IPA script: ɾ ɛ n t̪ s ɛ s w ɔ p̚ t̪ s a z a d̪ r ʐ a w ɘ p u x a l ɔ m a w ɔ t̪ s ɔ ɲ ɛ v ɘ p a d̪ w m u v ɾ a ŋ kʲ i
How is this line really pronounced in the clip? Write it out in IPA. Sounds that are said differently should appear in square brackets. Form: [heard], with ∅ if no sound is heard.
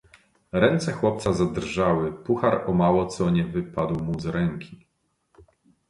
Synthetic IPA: ɾ ɛ n t̪ s ɛ [x] w ɔ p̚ t̪ s a z a d̪ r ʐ a w ɘ p u x a [ɾ] ɔ m a w ɔ t̪ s ɔ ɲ ɛ v ɘ p a d̪ w m u [z] ɾ [ɛ] ŋ kʲ i

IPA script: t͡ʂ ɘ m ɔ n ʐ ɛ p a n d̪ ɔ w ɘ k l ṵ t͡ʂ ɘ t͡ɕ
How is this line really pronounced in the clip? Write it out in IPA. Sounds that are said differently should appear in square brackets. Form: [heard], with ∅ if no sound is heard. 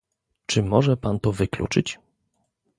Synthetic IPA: t͡ʂ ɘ m ɔ [∅] ʐ ɛ p a n [t̪] ɔ [v] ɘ k l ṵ t͡ʂ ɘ t͡ɕ

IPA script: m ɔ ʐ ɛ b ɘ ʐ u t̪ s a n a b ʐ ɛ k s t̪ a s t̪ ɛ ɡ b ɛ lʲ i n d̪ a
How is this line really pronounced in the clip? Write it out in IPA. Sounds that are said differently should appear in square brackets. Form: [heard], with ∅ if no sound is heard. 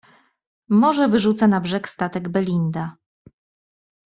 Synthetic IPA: m ɔ ʐ ɛ [v] ɘ ʐ u t̪ s a n a b ʐ ɛ k s t̪ a [∅] t̪ ɛ ɡ b ɛ lʲ i n d̪ a

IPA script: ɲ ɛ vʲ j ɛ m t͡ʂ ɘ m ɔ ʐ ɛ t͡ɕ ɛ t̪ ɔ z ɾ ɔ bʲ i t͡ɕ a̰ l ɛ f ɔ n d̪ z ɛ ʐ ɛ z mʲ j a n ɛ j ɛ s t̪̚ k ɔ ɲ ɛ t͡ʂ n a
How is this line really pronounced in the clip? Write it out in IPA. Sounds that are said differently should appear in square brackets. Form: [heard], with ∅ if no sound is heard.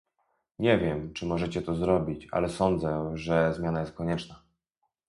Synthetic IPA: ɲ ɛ vʲ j ɛ m t͡ʂ ɘ m ɔ ʐ ɛ t͡ɕ ɛ t̪ ɔ z ɾ ɔ bʲ i t͡ɕ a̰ l ɛ [s] ɔ n d̪ z ɛ ʐ ɛ z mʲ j a n [a] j ɛ s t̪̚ k ɔ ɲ ɛ t͡ʂ n a

